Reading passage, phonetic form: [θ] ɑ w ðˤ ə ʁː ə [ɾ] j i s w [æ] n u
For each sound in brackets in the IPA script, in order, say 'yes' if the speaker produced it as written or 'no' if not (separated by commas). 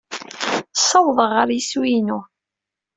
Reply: no, yes, no